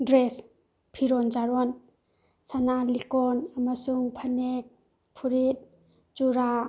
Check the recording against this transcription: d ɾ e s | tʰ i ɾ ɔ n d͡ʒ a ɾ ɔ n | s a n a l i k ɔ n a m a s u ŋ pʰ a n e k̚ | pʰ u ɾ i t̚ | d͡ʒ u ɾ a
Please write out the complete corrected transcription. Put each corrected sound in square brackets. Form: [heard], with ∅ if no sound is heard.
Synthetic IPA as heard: d ɾ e s | [pʰ] i ɾ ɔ n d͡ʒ a ɾ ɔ n | s a n a l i k ɔ n a m a s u ŋ pʰ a n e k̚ | pʰ u ɾ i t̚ | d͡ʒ u ɾ a